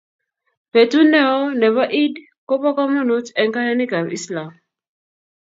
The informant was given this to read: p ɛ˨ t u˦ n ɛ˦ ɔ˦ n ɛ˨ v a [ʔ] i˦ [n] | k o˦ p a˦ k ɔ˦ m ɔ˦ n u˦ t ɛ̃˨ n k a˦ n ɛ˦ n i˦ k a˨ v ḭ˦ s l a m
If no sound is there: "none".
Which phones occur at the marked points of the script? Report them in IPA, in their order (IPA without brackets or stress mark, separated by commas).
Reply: ʔ, d